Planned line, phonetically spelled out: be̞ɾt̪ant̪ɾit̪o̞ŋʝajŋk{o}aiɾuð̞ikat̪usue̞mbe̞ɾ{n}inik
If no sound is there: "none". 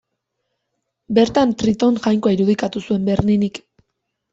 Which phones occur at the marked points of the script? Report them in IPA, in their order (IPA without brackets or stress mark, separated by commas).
o, n